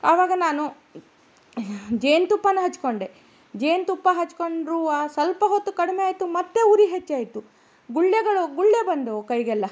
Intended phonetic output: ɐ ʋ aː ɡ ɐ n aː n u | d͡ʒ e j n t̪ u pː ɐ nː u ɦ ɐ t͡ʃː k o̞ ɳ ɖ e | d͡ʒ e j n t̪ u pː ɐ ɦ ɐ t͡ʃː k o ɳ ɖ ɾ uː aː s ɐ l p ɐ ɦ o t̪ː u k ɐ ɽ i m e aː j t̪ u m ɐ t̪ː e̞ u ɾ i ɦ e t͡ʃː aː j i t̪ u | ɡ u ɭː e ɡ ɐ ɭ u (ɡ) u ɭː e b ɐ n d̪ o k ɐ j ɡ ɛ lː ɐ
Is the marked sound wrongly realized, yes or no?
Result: no